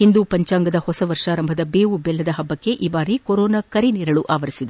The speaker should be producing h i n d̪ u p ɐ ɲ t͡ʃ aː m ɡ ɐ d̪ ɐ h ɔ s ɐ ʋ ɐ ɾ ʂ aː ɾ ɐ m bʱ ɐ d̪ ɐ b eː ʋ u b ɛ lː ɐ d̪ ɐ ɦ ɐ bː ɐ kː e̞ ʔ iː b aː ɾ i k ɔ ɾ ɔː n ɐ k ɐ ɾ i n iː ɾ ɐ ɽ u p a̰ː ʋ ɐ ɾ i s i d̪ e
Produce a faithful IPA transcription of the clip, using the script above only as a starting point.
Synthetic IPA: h i n d̪ u p ɐ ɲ t͡ʃ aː ŋ ɡ ɐ d̪ ɐ h ɔ s ɐ ʋ ɐ ɾ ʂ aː ɾ ɐ m bʱ ɐ d̪ ɐ b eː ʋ u b ɛ lː ɐ d̪ ɐ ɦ ɐ bː ɐ kː e̞ ʔ iː b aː ɾ i k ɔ ɾ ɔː n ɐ k ɐ ɾ i n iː ɾ ɐ ɭ u ʔ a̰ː ʋ ɐ ɾ i s i d̪ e